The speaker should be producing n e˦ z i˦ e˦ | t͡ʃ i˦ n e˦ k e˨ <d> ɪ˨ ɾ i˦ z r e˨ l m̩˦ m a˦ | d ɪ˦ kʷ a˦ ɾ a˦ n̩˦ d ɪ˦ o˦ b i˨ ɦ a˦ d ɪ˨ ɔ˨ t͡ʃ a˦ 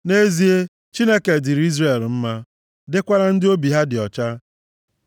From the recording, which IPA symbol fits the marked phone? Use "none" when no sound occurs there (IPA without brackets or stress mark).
d